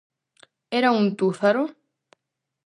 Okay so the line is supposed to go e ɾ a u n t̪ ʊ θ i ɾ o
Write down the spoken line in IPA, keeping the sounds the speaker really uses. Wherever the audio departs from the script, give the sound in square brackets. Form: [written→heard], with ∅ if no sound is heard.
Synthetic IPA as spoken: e ɾ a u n t̪ [ʊ→u] θ [i→a] ɾ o